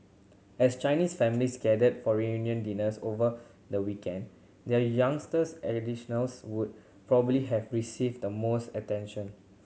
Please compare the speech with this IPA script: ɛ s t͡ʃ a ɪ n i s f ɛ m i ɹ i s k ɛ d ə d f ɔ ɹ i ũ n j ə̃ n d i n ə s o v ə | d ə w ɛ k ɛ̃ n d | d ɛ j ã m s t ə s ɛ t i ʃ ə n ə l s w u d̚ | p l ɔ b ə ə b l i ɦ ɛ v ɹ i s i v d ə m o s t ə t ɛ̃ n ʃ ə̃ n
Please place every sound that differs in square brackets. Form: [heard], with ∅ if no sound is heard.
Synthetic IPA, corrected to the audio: ɛ s t͡ʃ a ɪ n i s f ɛ m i [l] i s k ɛ d ə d f ɔ ɹ i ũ n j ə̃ n d i n ə s o v ə | d ə w [i] k ɛ̃ n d | d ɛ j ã [ŋ] s t ə s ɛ [d] i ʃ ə n ə l s w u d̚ | p [ɹ] ɔ b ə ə b l i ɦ ɛ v ɹ i s i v d ə m o s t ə t ɛ̃ n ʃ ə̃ n